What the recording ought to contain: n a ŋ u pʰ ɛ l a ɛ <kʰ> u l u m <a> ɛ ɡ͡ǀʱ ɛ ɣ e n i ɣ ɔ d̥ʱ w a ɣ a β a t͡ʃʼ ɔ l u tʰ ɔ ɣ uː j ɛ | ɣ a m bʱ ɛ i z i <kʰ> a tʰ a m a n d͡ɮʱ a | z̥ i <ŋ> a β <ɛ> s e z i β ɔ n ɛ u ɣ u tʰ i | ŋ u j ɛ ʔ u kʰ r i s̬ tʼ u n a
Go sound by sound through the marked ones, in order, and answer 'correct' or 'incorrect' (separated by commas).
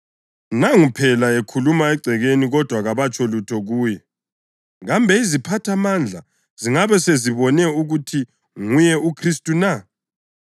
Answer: correct, correct, incorrect, correct, correct